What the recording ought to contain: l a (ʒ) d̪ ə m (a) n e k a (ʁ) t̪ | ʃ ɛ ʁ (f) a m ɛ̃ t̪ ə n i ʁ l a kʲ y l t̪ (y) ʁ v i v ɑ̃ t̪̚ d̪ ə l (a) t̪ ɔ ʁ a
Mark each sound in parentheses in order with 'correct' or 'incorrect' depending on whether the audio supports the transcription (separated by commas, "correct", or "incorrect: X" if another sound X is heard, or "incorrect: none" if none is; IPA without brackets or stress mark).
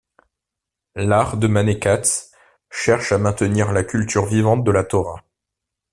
incorrect: ʁ, correct, incorrect: none, incorrect: ʃ, correct, correct